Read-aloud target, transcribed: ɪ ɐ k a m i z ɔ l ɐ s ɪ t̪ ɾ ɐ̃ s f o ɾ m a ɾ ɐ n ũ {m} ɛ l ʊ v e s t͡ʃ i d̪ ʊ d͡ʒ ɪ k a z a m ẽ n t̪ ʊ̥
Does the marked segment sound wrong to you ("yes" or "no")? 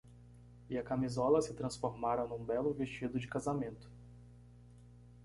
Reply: yes